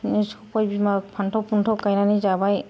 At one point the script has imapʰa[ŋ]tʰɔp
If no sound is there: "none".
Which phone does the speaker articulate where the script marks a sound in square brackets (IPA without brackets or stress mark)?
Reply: n